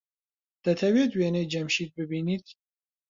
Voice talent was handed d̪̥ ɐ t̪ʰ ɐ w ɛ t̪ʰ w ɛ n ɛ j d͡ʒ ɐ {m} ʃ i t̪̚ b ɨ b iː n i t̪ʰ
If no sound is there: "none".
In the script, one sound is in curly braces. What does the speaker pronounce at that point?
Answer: m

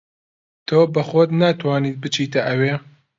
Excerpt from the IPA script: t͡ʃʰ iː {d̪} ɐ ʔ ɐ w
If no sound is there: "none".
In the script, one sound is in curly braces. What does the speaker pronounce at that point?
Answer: t̪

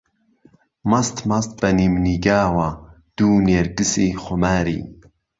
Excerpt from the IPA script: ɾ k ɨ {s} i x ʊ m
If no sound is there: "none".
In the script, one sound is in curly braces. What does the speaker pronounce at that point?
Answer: s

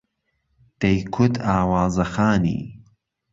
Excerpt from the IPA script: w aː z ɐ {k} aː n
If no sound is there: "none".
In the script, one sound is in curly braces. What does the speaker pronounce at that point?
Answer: x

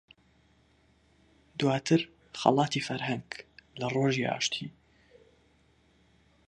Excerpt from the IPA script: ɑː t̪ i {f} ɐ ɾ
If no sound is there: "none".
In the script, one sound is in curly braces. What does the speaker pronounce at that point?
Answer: f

